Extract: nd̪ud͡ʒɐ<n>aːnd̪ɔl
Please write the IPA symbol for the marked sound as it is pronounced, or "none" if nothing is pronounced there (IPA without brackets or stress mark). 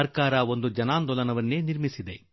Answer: n